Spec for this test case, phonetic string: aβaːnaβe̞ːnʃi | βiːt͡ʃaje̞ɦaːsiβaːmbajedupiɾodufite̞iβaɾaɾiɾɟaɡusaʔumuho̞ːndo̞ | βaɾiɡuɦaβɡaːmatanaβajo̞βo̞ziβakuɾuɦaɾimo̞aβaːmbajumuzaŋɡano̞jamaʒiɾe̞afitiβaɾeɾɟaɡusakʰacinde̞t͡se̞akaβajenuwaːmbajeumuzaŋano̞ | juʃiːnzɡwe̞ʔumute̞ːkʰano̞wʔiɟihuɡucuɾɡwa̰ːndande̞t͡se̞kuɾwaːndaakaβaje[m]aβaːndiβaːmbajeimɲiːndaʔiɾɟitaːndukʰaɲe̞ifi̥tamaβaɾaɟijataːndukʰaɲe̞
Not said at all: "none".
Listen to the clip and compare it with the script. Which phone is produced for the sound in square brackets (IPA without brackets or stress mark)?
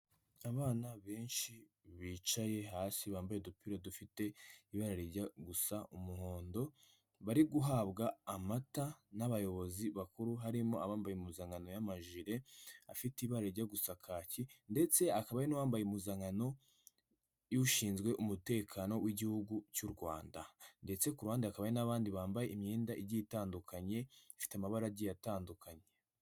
n